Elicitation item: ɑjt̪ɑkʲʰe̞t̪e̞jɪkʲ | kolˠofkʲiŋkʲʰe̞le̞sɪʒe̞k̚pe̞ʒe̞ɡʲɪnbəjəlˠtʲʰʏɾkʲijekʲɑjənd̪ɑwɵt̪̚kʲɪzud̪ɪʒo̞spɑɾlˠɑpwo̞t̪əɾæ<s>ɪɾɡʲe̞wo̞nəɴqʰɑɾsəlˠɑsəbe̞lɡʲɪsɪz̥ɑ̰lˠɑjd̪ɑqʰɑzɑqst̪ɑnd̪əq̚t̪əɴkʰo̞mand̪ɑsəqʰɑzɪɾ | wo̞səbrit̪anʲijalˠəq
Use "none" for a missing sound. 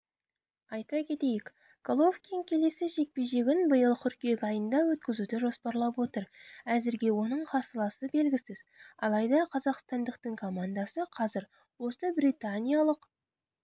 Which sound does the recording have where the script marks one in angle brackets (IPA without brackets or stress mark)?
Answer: z